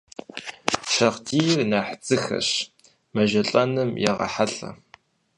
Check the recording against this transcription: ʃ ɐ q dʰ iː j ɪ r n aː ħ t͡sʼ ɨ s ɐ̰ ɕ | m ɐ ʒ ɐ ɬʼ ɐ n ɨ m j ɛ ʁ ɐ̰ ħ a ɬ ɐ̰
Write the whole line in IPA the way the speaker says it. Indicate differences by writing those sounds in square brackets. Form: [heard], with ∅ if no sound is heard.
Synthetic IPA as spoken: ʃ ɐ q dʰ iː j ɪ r n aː ħ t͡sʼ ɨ [x] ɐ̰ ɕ | m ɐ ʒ ɐ ɬʼ ɐ n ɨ m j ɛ ʁ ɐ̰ ħ a ɬ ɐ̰